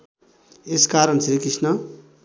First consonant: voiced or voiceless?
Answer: voiceless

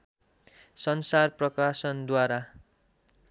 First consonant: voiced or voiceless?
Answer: voiceless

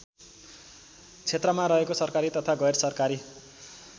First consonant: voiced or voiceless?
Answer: voiceless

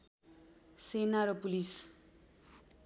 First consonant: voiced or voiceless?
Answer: voiceless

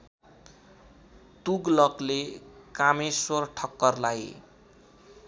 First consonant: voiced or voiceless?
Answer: voiceless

